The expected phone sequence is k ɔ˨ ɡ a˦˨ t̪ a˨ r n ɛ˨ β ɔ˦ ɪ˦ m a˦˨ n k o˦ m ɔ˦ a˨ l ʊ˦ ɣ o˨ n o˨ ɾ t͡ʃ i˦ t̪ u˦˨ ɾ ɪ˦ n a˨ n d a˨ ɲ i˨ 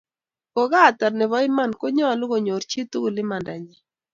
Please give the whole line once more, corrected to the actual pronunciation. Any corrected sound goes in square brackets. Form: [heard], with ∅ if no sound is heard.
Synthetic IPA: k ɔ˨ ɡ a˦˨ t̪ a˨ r n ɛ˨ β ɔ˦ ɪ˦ m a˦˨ n k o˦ [ɲ] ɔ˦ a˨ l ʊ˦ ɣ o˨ [ɲ] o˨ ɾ t͡ʃ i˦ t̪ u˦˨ [l] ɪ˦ [m] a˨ n d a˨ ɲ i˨